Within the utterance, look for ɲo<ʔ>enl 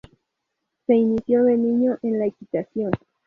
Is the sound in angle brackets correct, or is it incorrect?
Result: correct